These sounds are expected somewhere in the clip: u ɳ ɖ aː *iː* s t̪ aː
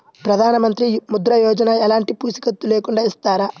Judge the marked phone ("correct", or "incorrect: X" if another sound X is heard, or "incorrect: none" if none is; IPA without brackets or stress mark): incorrect: i